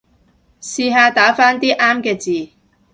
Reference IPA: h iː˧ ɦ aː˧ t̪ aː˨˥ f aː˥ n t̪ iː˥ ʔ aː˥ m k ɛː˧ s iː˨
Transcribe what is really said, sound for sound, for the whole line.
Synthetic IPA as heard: s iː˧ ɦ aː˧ t̪ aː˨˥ f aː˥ n t̪ iː˥ ʔ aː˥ m k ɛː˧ t͡s iː˨